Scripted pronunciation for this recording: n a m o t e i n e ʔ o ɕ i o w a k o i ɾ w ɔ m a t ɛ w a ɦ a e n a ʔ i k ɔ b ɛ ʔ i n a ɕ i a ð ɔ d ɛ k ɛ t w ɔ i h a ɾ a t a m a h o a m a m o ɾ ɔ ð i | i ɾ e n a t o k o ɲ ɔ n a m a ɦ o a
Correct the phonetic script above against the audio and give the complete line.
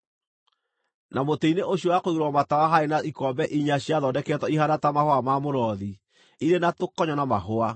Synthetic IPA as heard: n a m o t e i n e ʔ o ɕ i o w a k o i ɾ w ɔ m a t a w a ɦ a e n a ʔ i k ɔ b ɛ ʔ i ɲ a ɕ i a ð ɔ d ɛ k ɛ t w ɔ i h a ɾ a t a m a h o a m a m o ɾ ɔ ð i | i ɾ e n a t o k ɔ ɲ ɔ n a m a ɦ o a

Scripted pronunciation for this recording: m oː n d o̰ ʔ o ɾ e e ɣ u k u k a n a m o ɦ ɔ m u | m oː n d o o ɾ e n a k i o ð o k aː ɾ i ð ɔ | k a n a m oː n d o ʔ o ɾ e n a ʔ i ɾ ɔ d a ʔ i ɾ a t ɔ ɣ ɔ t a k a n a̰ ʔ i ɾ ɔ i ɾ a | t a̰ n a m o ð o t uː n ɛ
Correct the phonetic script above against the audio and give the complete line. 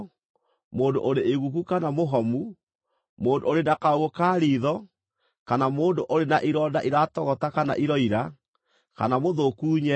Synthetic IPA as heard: m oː n d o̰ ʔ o ɾ e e ɣ u k u k a n a m o ɦ ɔ m u | m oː n d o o ɾ e n a k a o ɣ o k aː ɾ i ð ɔ | k a n a m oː n d o ʔ o ɾ e n a ʔ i ɾ ɔ d a ʔ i ɾ a t ɔ ɣ ɔ t a k a n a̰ ʔ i ɾ ɔ i ɾ a | k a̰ n a m o ð o k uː ɲ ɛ

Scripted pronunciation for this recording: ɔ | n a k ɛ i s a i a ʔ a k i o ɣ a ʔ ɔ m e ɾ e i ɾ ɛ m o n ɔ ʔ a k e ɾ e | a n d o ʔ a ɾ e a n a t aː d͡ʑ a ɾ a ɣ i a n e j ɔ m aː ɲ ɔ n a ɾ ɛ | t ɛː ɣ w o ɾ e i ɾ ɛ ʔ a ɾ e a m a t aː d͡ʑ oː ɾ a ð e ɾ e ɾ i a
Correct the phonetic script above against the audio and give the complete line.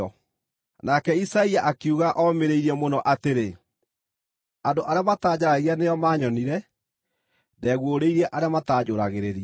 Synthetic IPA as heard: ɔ | n a k ɛ i s a i a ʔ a k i u ɣ a ʔ ɔ m e ɾ e i ɾ ɛ m o n ɔ ʔ a t e ɾ e | a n d o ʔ a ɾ e a m a t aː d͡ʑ a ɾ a ɣ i a n e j ɔ m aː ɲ ɔ n i ɾ ɛ | d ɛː ɣ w o ɾ e i ɾ ɛ ʔ a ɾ e a m a t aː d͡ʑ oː ɾ a ɣ e ɾ e ɾ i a

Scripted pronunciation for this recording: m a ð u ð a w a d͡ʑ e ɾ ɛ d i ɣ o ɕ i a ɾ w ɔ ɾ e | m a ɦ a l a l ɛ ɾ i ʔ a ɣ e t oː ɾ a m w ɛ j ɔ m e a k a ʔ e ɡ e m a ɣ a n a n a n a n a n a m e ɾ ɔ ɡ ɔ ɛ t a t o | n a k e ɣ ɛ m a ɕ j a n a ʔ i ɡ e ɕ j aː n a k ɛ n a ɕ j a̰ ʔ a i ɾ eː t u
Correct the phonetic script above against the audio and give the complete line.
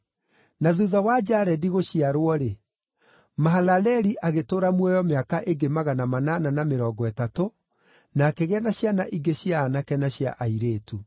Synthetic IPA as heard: n a ð u ð a w a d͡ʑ a ɾ ɛ d i ɣ o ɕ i a ɾ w ɔ ɾ e | m a ɦ a l a l ɛ ɾ i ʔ a ɣ e t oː ɾ a m w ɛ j ɔ m e a k a ʔ e ɡ e m a ɣ a n a m a n a n a n a m e ɾ ɔ ɡ ɔ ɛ t a t o | n a k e ɣ ɛ n a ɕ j a n a ʔ i ɡ e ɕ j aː n a k ɛ n a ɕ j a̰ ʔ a i ɾ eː t u

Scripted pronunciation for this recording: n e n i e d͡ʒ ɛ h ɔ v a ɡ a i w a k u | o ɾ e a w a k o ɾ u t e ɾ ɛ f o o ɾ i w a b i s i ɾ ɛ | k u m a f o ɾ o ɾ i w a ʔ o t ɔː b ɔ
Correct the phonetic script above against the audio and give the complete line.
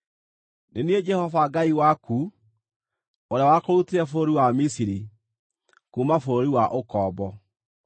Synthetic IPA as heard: n e n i e d͡ʒ ɛ h ɔ v a ɡ a i w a k u | o ɾ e a w a k o ɾ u t e ɾ ɛ f o o ɾ i w a m i s i ɾ i | k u m a f o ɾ o ɾ i w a ʔ o k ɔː b ɔ

